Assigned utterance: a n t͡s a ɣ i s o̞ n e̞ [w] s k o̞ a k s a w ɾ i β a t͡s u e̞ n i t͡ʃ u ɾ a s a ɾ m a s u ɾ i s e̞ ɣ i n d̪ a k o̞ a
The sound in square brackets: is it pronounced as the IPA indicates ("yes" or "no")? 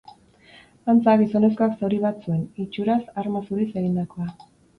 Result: no